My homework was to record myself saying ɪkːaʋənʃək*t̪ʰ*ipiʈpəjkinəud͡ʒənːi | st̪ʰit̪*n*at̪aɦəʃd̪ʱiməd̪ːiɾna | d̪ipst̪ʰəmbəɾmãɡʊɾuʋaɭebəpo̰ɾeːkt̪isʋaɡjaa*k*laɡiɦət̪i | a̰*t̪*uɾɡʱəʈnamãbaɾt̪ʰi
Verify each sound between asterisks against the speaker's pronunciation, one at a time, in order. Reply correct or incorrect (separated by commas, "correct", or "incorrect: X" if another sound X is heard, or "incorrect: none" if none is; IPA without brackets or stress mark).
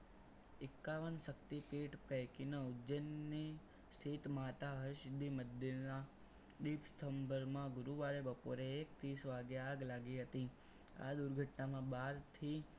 incorrect: t̪, incorrect: m, incorrect: ɡ, incorrect: d̪